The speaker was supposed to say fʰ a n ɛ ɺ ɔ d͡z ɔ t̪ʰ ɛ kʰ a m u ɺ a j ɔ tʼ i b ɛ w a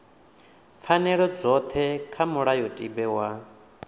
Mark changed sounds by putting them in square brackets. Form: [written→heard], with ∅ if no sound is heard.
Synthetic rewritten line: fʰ a n ɛ ɺ ɔ d͡z ɔ t̪ʰ ɛ kʰ a m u ɺ a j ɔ tʼ i b ɛ w a